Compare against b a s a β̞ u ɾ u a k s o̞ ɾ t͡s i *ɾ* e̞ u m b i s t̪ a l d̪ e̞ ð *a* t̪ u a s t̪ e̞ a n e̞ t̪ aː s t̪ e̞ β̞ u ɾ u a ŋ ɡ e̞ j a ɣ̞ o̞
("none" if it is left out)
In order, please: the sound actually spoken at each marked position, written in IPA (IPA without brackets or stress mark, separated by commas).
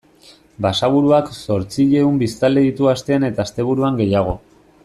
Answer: ʎ, i